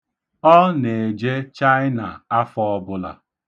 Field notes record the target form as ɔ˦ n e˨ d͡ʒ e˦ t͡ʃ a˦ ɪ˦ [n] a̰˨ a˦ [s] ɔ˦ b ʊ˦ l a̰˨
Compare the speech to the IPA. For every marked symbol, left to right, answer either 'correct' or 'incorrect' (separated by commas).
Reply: correct, incorrect